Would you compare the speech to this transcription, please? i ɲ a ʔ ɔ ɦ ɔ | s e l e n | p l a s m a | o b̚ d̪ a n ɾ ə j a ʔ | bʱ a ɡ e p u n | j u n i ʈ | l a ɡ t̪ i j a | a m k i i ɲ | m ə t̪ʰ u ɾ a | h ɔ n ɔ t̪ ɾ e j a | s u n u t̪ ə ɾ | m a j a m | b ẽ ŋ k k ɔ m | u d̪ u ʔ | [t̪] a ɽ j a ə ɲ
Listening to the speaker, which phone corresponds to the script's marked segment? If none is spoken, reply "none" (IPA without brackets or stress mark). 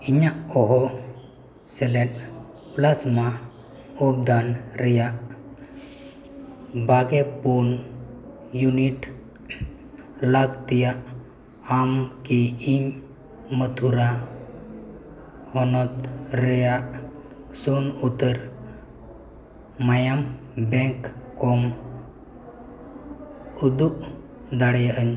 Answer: d̪